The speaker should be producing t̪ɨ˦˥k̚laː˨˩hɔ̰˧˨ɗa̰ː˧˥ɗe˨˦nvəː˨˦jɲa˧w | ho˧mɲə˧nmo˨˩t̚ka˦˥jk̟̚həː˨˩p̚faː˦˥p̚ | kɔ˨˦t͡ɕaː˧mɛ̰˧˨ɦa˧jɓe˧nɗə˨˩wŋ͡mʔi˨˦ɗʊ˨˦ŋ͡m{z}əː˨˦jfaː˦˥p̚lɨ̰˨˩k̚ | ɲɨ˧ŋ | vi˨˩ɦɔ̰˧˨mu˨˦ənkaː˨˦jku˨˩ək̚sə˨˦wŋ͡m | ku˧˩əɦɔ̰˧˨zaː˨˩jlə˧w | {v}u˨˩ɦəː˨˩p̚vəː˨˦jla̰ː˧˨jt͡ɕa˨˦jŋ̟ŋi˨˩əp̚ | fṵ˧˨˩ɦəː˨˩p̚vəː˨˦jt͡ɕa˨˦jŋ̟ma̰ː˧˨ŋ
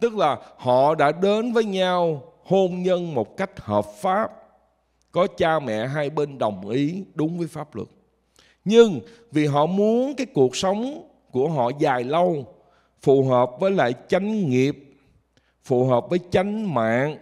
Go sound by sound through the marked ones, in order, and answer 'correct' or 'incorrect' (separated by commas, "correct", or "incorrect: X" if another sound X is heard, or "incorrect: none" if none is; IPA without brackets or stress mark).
incorrect: v, incorrect: f